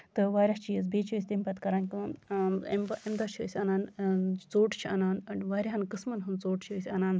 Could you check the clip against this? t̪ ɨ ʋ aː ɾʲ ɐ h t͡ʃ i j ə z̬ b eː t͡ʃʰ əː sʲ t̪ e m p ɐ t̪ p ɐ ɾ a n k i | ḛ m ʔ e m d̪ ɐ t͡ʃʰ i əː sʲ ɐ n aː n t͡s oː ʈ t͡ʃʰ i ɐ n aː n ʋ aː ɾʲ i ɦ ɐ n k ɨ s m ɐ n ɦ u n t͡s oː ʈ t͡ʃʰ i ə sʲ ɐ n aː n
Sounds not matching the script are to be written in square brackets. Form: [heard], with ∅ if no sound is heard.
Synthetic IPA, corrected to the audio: t̪ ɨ ʋ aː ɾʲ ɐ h t͡ʃ i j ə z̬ b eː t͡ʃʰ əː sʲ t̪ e m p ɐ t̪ [k] ɐ ɾ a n k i | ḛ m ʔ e m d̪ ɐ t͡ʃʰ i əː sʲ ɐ n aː n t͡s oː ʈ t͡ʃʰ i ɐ n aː n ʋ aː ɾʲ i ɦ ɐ n k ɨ s m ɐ n ɦ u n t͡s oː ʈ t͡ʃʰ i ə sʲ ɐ n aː n